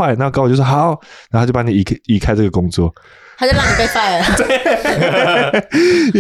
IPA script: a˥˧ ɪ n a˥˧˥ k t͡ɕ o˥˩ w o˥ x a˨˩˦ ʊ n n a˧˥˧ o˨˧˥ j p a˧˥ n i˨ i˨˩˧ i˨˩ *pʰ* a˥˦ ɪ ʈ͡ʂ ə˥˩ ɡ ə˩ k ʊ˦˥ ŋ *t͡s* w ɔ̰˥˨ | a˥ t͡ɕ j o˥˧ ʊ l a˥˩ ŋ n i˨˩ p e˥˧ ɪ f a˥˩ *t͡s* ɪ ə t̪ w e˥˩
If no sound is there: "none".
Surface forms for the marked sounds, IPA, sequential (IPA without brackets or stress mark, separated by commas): kʰ, t͡s, none